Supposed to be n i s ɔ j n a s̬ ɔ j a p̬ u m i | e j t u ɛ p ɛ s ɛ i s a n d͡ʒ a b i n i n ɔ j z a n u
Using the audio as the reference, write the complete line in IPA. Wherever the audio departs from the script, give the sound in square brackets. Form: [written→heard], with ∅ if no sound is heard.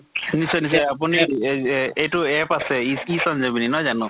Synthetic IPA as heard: n i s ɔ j n [a→i] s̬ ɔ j a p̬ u [m→n] i | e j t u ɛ p [ɛ→a] s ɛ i s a n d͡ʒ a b i n i n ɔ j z a n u